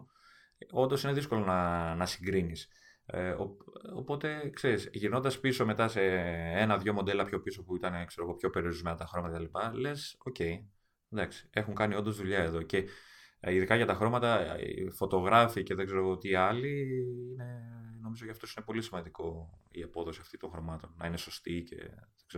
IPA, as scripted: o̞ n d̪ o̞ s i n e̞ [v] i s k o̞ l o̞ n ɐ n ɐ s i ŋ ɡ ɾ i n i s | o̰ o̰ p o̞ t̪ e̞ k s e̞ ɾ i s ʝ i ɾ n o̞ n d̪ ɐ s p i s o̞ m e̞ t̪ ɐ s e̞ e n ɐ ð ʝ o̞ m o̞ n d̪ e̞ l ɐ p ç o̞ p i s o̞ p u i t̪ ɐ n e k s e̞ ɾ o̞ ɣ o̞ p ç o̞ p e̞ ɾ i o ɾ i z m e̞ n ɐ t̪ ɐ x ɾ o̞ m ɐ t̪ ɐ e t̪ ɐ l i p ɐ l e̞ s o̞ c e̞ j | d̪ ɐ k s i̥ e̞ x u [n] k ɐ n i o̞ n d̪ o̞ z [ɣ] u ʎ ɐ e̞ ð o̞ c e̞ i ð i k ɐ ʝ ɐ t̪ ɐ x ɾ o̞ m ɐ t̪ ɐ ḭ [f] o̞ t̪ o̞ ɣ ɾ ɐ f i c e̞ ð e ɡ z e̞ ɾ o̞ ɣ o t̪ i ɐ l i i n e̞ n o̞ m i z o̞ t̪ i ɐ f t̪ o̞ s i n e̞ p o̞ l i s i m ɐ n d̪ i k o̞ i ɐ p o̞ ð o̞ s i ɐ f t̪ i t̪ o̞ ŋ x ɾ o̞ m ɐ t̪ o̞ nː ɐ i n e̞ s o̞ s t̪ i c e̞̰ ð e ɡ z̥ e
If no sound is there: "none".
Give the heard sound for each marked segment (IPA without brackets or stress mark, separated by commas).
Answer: ð, ŋ, ð, f